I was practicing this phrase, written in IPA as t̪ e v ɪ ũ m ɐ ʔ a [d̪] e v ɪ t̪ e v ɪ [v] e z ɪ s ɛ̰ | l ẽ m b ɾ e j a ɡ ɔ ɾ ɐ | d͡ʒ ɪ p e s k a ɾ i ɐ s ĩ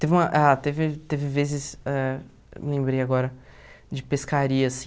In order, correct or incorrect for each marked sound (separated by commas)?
incorrect, correct